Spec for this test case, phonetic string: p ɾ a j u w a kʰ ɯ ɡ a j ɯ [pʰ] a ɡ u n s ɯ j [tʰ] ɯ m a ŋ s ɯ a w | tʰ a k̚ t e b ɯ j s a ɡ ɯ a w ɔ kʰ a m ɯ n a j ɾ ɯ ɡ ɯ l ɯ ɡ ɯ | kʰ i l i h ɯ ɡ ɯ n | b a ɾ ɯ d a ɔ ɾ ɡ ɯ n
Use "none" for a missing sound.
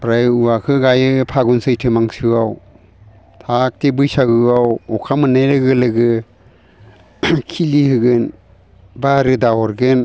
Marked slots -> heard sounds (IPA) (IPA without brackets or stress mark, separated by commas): pʰ, tʰ